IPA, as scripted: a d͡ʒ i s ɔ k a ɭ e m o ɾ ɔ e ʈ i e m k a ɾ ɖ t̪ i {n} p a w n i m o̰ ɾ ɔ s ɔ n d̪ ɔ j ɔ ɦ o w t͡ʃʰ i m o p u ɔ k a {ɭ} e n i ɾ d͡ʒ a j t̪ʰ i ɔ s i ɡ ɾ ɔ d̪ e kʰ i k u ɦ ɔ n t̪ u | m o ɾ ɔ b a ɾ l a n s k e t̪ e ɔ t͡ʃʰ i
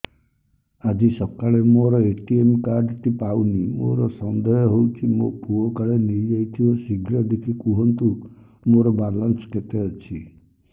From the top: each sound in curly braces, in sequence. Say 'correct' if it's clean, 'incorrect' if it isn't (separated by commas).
incorrect, correct